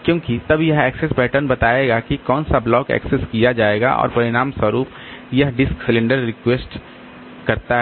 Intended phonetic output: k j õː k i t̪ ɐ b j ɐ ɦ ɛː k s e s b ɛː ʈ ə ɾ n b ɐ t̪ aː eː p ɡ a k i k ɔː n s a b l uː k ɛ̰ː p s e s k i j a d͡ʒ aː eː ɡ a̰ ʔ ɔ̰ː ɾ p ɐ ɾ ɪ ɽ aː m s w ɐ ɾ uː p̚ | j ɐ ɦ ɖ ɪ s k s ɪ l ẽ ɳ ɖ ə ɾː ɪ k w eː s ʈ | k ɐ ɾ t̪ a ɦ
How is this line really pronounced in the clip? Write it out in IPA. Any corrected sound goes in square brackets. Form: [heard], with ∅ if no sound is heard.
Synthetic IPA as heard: k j õː k i t̪ ɐ b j ɐ ɦ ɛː k s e s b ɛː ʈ ə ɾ n b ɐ t̪ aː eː [∅] ɡ a k i k ɔː n s a b l [ɔː] k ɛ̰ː [k] s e s k i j a d͡ʒ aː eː ɡ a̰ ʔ ɔ̰ː ɾ p ɐ ɾ ɪ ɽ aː m s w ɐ ɾ uː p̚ | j ɐ ɦ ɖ ɪ s k s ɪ l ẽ ɳ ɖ ə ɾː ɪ k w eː s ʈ | k ɐ ɾ t̪ a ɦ

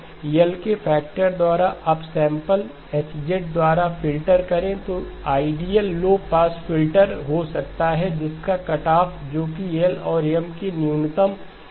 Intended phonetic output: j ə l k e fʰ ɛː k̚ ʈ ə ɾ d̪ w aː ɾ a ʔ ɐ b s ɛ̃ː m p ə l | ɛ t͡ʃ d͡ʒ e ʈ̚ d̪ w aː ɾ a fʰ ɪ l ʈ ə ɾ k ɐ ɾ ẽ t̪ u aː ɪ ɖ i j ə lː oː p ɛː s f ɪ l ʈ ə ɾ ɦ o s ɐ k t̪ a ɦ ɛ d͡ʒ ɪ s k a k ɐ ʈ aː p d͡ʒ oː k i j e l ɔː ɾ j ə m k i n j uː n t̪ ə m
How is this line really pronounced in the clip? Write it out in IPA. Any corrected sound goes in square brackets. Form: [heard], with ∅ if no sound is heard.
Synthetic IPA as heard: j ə l k e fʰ ɛː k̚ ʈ ə ɾ d̪ w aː ɾ a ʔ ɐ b s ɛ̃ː m p ə l | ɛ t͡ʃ d͡ʒ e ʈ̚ d̪ w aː ɾ a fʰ ɪ l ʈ ə ɾ k ɐ ɾ ẽ t̪ [o] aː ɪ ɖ i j ə lː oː p [aː] s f ɪ l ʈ ə ɾ ɦ o s ɐ k t̪ a ɦ ɛ d͡ʒ ɪ s k a k ɐ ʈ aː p d͡ʒ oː k i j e l ɔː ɾ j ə m k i n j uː n t̪ ə m

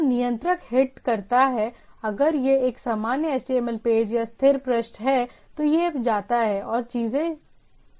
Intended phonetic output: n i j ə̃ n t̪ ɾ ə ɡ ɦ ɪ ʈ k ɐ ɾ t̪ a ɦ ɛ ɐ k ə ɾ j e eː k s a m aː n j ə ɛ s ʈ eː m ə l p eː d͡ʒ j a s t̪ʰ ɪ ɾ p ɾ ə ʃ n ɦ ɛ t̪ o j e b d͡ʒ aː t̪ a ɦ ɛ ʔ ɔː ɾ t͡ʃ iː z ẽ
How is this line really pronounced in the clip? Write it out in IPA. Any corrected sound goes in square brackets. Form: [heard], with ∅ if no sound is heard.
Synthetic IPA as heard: n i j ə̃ n t̪ ɾ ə [k] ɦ ɪ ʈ k ɐ ɾ t̪ a ɦ ɛ ɐ [ɡ] ə ɾ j e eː k s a m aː n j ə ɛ s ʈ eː m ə l p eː d͡ʒ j a s t̪ʰ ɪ ɾ p ɾ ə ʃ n ɦ ɛ t̪ o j e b d͡ʒ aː t̪ a ɦ ɛ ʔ ɔː ɾ t͡ʃ iː z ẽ

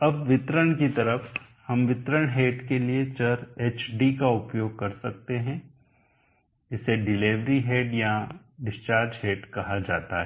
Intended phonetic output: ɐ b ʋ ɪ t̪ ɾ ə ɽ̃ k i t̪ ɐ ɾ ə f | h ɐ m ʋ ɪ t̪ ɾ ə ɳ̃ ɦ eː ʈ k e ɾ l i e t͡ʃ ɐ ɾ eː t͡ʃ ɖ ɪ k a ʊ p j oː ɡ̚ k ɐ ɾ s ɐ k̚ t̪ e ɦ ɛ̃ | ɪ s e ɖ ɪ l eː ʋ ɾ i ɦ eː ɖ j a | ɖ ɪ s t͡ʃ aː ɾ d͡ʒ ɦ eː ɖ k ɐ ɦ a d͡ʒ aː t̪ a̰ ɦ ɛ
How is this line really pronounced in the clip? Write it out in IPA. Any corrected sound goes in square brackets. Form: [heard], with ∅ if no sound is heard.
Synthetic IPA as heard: ɐ b ʋ ɪ t̪ ɾ ə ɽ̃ k i t̪ ɐ ɾ ə f | h ɐ m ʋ ɪ t̪ ɾ ə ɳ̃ ɦ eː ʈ k e [∅] l i e t͡ʃ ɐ ɾ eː t͡ʃ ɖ [i] k a ʊ p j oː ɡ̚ k ɐ ɾ s ɐ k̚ t̪ e ɦ ɛ̃ | ɪ s e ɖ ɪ l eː ʋ ɾ i ɦ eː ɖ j a | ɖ ɪ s t͡ʃ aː ɾ d͡ʒ ɦ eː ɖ k ɐ ɦ a d͡ʒ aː t̪ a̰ ɦ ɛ

